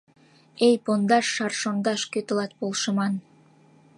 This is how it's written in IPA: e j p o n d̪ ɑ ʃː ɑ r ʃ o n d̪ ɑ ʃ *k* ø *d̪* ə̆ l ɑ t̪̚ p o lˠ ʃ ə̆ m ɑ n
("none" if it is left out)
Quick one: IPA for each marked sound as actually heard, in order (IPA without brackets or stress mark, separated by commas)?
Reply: k, t̪